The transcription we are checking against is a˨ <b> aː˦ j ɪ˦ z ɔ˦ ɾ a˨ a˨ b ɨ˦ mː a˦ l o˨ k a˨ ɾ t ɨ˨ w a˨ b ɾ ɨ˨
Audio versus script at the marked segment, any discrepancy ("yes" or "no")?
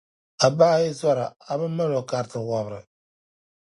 no